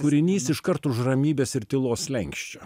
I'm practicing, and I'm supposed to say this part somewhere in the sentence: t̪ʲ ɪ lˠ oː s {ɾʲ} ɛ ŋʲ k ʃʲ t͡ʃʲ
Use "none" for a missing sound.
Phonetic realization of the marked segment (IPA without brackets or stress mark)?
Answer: lʲ